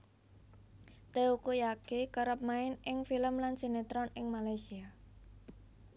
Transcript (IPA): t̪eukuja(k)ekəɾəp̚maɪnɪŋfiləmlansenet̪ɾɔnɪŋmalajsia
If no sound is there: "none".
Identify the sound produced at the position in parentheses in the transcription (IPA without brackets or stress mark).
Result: k